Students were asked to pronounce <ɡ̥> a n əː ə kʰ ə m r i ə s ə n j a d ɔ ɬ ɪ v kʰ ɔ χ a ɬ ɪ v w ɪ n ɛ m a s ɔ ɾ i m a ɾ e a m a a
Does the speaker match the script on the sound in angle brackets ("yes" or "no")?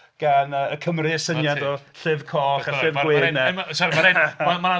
yes